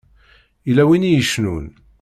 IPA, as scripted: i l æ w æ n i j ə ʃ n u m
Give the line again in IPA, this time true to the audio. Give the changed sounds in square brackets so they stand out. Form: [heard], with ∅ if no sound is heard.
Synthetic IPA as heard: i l æ w [i] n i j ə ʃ n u [n]